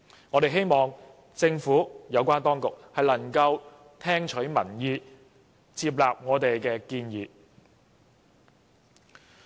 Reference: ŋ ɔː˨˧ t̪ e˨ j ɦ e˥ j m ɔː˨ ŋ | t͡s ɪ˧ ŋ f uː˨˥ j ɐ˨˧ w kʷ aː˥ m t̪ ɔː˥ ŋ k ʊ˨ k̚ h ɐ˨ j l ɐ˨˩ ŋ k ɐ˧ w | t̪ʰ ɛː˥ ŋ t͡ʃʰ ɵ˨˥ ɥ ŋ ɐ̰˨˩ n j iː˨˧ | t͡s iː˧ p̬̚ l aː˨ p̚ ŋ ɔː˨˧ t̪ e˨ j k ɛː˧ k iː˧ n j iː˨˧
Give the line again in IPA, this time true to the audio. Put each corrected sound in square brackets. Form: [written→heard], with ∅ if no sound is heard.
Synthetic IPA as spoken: ŋ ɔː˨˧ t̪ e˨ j ɦ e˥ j m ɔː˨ ŋ | t͡s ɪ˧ ŋ f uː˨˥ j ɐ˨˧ w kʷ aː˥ [m→n] t̪ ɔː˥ ŋ k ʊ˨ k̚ h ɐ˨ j l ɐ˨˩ ŋ k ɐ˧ w | t̪ʰ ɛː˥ ŋ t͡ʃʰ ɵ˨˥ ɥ [ŋ→m] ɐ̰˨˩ n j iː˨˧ | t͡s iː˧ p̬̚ l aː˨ p̚ ŋ ɔː˨˧ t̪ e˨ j k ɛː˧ k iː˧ n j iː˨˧